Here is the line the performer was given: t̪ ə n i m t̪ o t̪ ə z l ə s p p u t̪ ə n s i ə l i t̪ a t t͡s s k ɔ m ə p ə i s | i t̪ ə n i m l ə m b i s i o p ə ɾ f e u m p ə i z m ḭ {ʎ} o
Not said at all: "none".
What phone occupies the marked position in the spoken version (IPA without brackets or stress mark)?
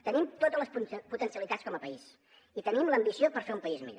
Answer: ʎ